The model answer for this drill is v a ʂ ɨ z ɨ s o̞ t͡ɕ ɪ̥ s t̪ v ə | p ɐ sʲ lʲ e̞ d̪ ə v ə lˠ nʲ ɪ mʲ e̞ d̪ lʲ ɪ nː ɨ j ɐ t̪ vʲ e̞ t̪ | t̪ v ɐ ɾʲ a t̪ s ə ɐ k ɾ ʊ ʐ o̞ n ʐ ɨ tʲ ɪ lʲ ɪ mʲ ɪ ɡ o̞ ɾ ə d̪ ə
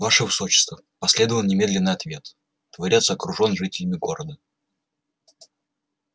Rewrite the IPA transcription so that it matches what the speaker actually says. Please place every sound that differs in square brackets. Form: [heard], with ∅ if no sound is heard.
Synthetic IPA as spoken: v a ʂ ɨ [v] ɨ s o̞ t͡ɕ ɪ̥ s t̪ v ə | p ɐ sʲ lʲ e̞ d̪ ə v ə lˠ nʲ ɪ mʲ e̞ d̪ lʲ ɪ nː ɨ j ɐ t̪ vʲ e̞ t̪ | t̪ v ɐ ɾʲ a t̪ s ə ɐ k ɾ ʊ ʐ o̞ n ʐ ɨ tʲ ɪ lʲ ɪ mʲ ɪ ɡ o̞ ɾ ə d̪ ə